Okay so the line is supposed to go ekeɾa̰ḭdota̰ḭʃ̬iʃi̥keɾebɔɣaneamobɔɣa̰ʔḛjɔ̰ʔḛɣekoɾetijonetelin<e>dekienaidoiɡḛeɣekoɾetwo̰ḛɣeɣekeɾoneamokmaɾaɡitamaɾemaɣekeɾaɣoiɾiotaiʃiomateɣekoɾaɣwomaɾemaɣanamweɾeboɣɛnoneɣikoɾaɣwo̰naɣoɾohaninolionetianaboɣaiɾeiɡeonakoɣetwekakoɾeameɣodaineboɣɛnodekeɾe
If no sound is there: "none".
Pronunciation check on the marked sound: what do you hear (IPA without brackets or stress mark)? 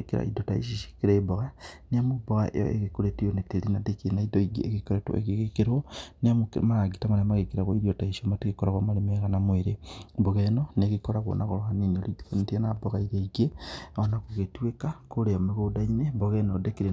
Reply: a